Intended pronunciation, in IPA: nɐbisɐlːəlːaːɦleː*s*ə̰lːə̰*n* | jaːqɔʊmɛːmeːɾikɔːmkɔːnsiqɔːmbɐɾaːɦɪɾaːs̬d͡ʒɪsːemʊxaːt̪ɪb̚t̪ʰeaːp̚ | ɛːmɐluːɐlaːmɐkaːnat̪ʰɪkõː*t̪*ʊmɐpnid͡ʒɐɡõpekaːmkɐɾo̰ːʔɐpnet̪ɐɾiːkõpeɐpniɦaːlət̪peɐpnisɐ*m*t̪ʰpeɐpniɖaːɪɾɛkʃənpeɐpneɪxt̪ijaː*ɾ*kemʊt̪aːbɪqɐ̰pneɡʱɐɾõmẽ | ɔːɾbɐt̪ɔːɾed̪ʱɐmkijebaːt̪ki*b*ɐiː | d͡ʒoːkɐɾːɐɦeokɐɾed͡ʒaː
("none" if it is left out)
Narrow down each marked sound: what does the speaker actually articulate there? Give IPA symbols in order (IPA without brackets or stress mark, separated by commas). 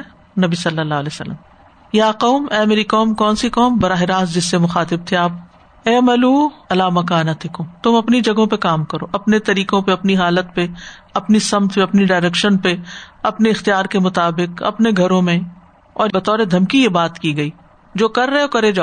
s, m, t̪, m, ɾ, ɡ